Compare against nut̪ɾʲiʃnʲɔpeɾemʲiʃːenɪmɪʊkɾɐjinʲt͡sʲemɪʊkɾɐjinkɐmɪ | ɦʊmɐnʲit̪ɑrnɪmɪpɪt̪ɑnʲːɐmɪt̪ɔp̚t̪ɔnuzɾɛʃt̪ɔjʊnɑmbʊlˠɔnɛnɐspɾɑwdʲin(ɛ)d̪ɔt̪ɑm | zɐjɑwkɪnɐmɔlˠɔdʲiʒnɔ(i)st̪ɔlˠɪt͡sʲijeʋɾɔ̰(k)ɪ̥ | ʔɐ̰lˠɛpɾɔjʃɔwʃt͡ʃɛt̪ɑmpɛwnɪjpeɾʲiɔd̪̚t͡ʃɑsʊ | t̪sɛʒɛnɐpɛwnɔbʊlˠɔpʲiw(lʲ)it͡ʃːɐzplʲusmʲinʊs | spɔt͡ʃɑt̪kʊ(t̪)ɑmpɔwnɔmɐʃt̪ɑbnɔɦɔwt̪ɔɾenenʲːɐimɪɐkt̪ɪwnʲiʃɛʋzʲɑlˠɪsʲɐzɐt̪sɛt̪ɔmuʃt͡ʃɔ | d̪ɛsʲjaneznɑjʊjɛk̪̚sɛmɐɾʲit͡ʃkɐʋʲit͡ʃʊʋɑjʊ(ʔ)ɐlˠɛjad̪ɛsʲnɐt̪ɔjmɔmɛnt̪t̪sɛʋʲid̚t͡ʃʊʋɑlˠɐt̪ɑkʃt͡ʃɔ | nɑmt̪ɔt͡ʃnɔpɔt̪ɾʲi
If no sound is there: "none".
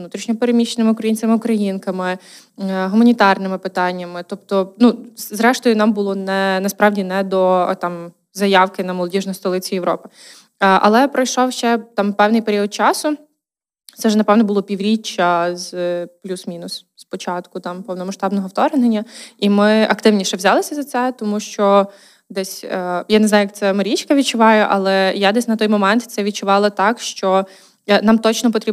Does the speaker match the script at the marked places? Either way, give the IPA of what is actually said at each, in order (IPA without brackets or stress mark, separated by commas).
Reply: ɛ, j, p, ɾʲ, t̪, ʔ